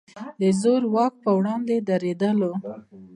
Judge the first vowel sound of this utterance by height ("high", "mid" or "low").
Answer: mid